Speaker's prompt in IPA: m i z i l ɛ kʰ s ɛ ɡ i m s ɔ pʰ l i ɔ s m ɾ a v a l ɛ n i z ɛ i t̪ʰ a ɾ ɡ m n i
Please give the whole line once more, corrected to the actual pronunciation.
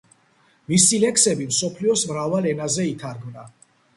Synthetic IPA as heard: m i s i l ɛ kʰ s ɛ b i m s ɔ pʰ l i ɔ s m ɾ a v a l ɛ n a z ɛ i t̪ʰ a ɾ ɡ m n a